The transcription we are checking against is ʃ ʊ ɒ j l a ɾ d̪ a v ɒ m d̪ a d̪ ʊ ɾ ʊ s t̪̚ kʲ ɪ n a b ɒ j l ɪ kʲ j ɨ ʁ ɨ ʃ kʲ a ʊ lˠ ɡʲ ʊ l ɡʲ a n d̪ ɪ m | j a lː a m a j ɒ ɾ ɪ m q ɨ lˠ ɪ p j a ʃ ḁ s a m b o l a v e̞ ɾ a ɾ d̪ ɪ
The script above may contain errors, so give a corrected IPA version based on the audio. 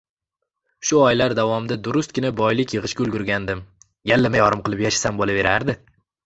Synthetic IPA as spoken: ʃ ʊ ɒ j l a ɾ d̪ a v ɒ m d̪ a d̪ ʊ ɾ ʊ s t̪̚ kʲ ɪ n a b ɒ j l ɪ kʲ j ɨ ʁ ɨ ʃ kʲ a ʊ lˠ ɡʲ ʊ ɾ ɡʲ a n d̪ ɪ m | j a lː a m a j ɒ ɾ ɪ m q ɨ lˠ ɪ p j a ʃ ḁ s a m b o l a v e̞ ɾ a ɾ d̪ ɪ